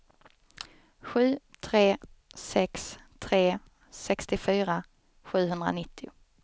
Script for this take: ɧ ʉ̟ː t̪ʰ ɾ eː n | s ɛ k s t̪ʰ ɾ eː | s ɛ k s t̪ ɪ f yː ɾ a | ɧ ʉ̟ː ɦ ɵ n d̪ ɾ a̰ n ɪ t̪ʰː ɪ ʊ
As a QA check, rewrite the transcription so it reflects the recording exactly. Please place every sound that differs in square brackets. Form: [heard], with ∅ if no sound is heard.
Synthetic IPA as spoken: ɧ ʉ̟ː t̪ʰ ɾ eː [∅] | s ɛ k s t̪ʰ ɾ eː | s ɛ k s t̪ ɪ f yː ɾ a | ɧ ʉ̟ː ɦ ɵ n d̪ ɾ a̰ n ɪ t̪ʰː ɪ ʊ

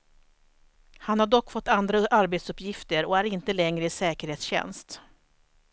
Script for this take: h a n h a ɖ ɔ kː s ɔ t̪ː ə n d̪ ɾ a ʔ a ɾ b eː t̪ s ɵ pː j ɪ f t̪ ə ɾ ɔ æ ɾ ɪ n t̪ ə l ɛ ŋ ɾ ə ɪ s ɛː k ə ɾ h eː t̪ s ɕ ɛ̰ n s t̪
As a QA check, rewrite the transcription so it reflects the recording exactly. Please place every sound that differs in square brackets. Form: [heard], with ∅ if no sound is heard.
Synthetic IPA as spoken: h a n h a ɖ ɔ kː [f] ɔ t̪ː [a] n d̪ ɾ a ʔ a ɾ b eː t̪ s ɵ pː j ɪ f t̪ ə ɾ ɔ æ ɾ ɪ n t̪ ə l ɛ ŋ ɾ ə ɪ s ɛː k ə ɾ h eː t̪ s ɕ ɛ̰ n s t̪

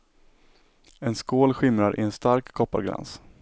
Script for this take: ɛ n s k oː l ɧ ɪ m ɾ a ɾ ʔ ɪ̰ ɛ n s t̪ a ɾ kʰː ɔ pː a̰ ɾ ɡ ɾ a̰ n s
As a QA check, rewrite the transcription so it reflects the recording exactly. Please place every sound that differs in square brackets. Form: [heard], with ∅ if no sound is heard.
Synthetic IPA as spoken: ɛ n s k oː l ɧ ɪ m ɾ a ɾ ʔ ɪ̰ ɛ n s t̪ a ɾ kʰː ɔ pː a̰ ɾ ɡ ɾ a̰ n s

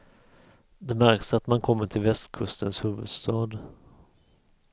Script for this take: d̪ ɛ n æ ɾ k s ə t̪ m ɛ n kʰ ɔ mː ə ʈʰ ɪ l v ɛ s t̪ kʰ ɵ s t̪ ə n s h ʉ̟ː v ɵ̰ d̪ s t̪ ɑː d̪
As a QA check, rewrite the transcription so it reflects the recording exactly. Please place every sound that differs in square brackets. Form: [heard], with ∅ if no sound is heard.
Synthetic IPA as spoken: d̪ ɛ [m] æ ɾ k s [a] t̪ m [a] n kʰ ɔ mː ə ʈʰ ɪ l v ɛ s t̪ kʰ ɵ s t̪ ə n s h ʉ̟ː v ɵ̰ d̪ s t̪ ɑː d̪

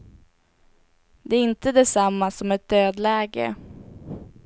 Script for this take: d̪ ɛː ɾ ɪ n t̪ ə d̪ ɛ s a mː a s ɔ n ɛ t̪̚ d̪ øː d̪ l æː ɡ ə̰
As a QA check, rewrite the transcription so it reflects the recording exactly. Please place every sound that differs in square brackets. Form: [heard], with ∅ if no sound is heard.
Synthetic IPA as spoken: d̪ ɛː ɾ ɪ n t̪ ə d̪ ɛ s a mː a s ɔ [m] ɛ t̪̚ d̪ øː d̪ l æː ɡ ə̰

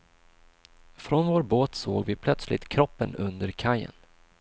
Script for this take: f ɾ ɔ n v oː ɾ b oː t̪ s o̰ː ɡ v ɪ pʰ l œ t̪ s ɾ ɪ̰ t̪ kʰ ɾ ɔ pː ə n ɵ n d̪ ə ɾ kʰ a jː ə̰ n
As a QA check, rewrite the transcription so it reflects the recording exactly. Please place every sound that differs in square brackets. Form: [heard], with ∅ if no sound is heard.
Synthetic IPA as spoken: f ɾ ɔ n v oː ɾ b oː t̪ s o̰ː ɡ v ɪ pʰ l œ t̪ s [l] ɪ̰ t̪ kʰ ɾ ɔ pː ə n ɵ n d̪ ə ɾ kʰ a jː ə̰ n

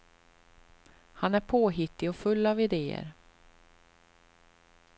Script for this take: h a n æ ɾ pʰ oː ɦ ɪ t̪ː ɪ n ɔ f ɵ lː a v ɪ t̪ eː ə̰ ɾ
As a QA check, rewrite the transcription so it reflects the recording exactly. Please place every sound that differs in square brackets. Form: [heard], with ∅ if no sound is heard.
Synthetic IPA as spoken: h a n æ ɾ pʰ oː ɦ ɪ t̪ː ɪ [∅] ɔ f ɵ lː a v ɪ [d̪] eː ə̰ ɾ

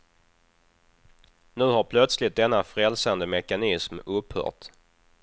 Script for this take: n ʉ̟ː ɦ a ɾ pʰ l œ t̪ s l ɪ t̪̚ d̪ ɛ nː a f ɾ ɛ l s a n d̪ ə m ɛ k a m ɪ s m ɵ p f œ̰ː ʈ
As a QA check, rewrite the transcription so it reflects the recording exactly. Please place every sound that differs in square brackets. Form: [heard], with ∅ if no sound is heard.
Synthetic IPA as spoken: n ʉ̟ː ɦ a ɾ pʰ l œ t̪ s l ɪ t̪̚ d̪ ɛ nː a f ɾ ɛ l s a n d̪ ə m ɛ k a [n] ɪ s m ɵ p [h] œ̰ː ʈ

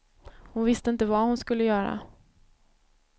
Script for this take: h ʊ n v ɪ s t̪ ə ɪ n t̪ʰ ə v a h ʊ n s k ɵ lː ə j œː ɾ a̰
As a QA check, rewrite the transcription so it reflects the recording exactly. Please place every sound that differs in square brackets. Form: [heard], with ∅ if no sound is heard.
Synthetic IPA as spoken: h ʊ n v ɪ s t̪ ə ɪ n [t̪] ə v a h ʊ n s k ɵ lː ə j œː ɾ a̰

